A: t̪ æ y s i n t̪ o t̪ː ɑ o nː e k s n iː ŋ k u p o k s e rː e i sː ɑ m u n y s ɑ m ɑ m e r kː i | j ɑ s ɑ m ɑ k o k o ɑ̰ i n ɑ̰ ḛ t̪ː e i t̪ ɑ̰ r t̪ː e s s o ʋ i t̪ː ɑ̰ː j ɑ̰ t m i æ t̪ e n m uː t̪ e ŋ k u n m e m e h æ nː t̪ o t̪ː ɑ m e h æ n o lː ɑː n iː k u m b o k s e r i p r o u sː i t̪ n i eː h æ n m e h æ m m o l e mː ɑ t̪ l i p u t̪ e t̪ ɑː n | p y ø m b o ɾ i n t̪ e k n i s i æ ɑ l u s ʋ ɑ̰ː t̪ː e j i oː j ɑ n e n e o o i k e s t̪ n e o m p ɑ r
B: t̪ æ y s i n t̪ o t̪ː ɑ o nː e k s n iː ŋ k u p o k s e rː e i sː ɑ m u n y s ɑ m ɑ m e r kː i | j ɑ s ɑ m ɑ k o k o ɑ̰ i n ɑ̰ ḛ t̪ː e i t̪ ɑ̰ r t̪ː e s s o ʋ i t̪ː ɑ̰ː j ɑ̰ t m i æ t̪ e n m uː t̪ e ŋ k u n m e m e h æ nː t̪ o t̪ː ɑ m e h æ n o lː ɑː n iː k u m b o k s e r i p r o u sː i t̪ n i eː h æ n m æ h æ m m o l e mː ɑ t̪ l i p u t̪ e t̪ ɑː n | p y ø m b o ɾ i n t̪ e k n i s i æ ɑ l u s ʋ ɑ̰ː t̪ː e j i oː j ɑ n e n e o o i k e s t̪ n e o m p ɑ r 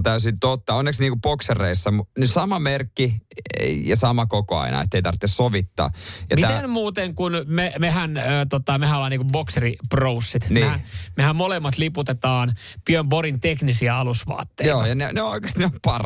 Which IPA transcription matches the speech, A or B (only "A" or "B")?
A